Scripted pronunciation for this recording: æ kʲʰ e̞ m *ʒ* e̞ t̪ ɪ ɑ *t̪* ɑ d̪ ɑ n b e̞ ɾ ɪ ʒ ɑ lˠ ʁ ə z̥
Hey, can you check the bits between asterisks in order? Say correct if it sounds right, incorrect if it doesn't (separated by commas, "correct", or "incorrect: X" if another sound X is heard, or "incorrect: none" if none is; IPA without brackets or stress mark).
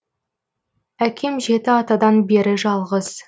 correct, correct